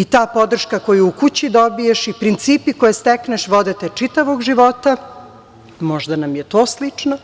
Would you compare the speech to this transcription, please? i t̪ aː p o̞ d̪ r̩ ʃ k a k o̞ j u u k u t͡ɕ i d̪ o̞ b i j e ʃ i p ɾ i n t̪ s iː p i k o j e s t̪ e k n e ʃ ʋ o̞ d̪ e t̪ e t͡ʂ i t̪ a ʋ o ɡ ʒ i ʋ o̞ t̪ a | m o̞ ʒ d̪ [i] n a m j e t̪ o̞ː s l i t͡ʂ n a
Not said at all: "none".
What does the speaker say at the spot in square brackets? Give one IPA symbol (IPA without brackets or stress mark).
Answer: a